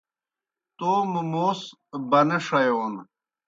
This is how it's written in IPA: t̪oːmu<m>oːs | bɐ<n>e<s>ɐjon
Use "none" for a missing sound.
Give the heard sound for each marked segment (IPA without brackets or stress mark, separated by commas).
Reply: m, n, ʂ